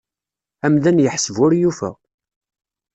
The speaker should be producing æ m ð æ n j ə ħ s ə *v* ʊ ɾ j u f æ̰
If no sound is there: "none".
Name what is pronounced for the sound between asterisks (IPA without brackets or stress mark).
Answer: v